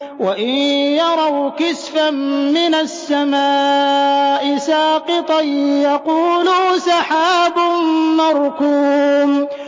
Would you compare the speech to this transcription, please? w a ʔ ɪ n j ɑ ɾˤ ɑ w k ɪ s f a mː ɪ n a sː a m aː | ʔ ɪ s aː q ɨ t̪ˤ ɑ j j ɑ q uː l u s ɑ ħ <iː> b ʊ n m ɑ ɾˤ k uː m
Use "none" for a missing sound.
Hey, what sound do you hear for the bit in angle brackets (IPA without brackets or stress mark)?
aː